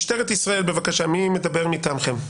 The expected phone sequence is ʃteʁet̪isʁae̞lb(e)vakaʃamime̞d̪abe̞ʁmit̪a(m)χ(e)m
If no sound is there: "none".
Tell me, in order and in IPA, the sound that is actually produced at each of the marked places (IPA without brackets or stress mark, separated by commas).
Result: e, m, e